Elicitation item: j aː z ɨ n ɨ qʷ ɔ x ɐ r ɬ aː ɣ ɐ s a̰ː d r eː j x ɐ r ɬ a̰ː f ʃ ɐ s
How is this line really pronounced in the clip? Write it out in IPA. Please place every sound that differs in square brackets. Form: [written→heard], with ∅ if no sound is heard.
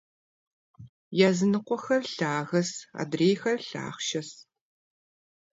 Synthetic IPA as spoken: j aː z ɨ n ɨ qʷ ɔ x ɐ r ɬ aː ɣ ɐ s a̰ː d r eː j x ɐ r ɬ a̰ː [f→χ] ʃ ɐ s